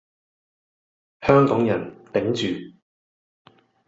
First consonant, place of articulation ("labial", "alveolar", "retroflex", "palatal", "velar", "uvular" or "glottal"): glottal